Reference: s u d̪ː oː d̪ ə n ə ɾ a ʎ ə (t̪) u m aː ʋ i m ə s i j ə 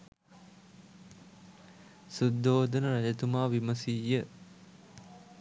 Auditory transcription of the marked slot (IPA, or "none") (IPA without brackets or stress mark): t̪